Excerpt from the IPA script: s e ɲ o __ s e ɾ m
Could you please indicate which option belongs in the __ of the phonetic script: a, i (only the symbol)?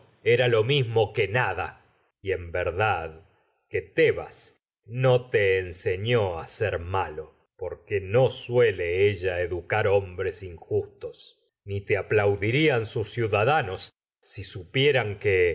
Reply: a